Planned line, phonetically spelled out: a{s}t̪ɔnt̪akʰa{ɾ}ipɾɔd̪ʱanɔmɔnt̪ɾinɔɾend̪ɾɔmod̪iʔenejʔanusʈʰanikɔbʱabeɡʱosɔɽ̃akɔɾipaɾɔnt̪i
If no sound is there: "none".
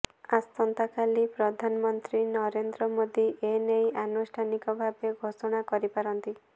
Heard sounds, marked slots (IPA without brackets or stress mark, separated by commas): s, l